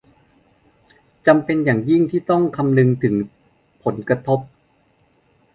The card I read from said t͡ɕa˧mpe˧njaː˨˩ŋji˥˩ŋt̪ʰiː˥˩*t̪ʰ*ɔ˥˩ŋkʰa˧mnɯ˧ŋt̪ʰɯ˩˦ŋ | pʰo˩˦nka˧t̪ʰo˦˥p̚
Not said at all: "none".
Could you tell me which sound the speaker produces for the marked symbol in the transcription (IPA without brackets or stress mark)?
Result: t̪